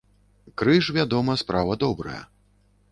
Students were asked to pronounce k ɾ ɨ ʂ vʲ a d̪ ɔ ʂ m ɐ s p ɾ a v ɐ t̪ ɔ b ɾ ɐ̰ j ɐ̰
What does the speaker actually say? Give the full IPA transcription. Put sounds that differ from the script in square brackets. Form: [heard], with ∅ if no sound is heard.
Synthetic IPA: k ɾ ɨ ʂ vʲ a d̪ ɔ [∅] m ɐ s p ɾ a v ɐ [d̪] ɔ b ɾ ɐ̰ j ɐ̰